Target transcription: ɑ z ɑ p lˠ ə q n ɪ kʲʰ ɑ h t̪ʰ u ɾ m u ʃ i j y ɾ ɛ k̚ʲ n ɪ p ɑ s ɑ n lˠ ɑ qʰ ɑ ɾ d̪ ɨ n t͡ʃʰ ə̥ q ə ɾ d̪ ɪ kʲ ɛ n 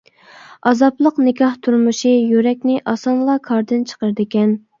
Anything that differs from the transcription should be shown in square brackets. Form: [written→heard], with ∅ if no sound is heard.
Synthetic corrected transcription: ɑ z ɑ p lˠ ə q n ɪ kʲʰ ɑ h t̪ʰ u ɾ m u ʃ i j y ɾ ɛ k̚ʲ n ɪ [p→ʔ] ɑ s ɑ n lˠ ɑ [qʰ→kʰ] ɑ ɾ d̪ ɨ n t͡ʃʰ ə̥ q ə ɾ d̪ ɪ kʲ ɛ n